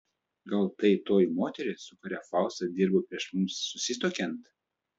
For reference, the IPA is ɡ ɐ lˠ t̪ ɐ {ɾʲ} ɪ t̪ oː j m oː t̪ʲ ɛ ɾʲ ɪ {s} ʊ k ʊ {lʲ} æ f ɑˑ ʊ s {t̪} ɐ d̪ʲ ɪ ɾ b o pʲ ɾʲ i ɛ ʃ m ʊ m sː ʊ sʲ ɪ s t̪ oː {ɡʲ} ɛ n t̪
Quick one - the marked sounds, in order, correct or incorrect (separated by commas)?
incorrect, correct, incorrect, correct, incorrect